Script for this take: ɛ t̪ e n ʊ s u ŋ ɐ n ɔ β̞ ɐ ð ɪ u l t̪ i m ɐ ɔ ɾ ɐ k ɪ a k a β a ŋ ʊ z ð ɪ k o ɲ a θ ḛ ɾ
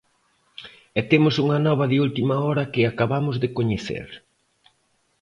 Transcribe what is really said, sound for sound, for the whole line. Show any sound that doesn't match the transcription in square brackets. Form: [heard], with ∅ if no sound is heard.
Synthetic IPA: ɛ t̪ e [m] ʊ s u ŋ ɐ n ɔ β̞ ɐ ð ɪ u l t̪ i m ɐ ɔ ɾ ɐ k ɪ a k a β a [m] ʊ z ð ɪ k o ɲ [e] θ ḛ ɾ